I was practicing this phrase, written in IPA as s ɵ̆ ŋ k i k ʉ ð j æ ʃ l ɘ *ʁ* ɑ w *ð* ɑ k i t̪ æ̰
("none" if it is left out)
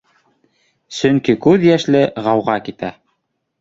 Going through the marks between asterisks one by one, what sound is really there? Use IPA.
ʁ, ʁ

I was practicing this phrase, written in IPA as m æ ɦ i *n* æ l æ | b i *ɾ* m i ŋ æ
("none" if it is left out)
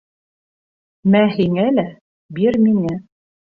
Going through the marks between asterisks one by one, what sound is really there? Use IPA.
ŋ, ɾ

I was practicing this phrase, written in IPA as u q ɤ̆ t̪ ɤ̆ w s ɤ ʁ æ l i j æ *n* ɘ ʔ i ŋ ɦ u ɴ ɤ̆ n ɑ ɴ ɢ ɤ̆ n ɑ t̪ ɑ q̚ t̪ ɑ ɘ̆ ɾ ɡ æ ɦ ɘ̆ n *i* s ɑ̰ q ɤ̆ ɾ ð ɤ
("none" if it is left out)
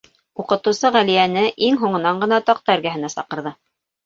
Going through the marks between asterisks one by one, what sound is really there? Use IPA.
n, æ

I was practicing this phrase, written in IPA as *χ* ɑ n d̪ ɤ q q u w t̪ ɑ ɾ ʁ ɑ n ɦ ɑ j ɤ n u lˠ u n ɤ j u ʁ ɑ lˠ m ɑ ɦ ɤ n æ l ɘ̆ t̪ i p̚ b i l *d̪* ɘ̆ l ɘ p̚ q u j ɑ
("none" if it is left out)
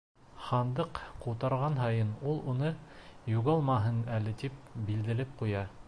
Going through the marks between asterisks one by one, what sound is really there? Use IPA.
χ, d̪

